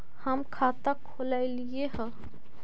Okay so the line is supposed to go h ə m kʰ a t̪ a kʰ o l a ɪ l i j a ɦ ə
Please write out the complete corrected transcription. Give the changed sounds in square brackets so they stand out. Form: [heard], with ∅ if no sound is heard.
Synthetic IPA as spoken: h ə m kʰ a t̪ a kʰ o l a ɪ l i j [e] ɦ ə

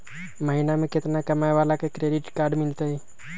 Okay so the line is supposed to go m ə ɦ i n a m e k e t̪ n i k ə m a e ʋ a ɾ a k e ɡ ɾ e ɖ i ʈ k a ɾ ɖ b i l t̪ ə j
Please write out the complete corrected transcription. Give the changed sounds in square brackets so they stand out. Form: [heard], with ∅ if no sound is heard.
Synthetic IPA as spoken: m ə ɦ i n a m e k e t̪ n [a] k ə m a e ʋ a [l] a k e [k] ɾ e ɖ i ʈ k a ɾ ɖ [m] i l t̪ ə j

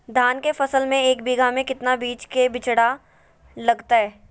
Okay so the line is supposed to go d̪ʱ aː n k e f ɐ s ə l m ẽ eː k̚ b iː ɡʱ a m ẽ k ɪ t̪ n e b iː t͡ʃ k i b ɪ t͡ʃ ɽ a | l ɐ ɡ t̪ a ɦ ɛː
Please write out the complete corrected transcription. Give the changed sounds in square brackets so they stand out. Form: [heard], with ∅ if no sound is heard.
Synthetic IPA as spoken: d̪ʱ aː n k e f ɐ s ə l m ẽ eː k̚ b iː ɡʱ a m ẽ k ɪ t̪ n [a] b iː t͡ʃ k [e] b ɪ t͡ʃ ɽ a | l ɐ ɡ t̪ a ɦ ɛː

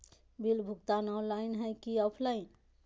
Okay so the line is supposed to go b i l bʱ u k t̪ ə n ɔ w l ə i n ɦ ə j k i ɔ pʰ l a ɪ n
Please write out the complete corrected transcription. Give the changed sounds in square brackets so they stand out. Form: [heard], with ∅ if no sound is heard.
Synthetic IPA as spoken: b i l bʱ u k t̪ [a] n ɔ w l [a] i n ɦ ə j k i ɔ pʰ l a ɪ n

